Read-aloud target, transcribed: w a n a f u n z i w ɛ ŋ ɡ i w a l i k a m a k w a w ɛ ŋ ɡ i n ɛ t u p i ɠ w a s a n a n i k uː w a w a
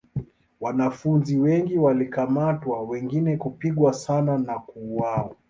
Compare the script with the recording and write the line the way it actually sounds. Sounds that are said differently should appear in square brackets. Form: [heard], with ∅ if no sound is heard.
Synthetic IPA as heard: w a n a f u n z i w ɛ ŋ ɡ i w a l i k a m a [t] w a w ɛ ŋ ɡ i n ɛ [k] u p i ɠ w a s a n a n [a] k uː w a w a